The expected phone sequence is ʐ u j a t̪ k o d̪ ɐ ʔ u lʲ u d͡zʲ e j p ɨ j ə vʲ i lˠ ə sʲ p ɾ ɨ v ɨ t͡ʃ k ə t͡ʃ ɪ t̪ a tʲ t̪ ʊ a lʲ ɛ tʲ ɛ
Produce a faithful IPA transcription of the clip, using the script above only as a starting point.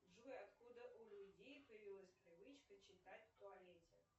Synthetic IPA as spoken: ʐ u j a t̪ k u d̪ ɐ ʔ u lʲ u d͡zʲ e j p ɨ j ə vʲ i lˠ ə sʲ p ɾ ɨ v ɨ t͡ʃ k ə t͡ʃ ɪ t̪ a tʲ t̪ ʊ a lʲ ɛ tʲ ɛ